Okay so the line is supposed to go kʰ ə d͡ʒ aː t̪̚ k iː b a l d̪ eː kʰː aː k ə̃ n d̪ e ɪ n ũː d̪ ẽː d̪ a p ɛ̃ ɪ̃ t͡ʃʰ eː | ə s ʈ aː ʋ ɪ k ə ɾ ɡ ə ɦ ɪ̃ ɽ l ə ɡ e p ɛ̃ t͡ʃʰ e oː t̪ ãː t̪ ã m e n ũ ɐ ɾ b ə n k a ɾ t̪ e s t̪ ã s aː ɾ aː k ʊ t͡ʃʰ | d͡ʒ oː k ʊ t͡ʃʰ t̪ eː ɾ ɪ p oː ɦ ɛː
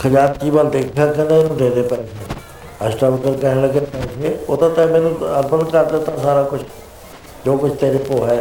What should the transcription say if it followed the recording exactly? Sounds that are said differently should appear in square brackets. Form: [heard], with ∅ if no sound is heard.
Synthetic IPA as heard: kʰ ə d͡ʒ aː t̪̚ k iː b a l d̪ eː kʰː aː k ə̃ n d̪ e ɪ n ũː d̪ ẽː d̪ [e] p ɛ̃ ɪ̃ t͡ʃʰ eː | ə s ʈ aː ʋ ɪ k ə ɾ [k] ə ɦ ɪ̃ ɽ l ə ɡ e p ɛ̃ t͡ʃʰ e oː t̪ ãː t̪ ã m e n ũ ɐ ɾ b ə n k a ɾ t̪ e [∅] t̪ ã s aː ɾ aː k ʊ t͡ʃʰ | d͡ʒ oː k ʊ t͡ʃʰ t̪ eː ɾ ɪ p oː ɦ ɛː